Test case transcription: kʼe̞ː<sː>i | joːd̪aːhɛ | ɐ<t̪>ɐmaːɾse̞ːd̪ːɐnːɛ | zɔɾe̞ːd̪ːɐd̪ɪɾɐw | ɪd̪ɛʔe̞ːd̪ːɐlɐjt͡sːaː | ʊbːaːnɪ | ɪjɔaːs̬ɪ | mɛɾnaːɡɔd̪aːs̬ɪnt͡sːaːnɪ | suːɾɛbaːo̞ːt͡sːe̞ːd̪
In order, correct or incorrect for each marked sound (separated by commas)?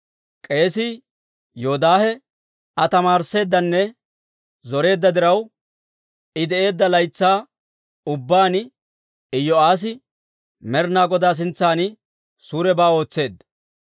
incorrect, correct